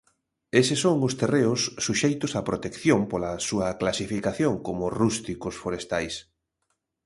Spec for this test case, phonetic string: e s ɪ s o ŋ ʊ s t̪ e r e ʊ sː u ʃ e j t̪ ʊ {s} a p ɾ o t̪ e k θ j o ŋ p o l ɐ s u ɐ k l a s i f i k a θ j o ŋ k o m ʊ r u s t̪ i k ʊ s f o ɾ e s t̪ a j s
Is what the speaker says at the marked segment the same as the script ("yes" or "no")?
yes